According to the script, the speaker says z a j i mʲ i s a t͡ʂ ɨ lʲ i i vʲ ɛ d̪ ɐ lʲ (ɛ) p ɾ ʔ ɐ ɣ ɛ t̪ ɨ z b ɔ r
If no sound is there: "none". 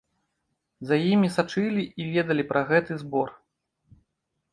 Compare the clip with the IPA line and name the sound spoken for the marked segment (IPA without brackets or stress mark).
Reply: i